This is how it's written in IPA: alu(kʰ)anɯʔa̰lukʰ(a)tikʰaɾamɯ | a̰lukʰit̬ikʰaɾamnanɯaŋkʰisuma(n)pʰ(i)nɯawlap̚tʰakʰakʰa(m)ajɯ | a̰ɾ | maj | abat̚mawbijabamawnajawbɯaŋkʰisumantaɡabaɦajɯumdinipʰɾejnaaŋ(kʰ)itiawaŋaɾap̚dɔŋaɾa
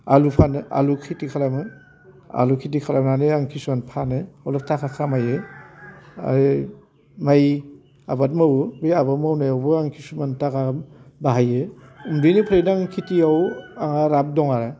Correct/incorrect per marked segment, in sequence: incorrect, incorrect, correct, incorrect, correct, correct

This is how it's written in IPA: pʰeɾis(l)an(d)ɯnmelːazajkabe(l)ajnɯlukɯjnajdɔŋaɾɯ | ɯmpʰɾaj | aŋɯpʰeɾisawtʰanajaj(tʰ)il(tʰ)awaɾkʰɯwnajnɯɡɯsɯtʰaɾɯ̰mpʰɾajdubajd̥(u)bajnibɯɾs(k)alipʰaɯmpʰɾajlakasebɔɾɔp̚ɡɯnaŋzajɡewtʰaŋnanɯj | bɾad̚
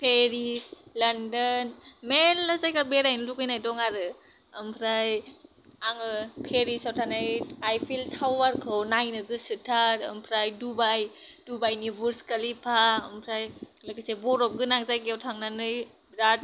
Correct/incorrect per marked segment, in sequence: correct, correct, incorrect, incorrect, correct, correct, correct

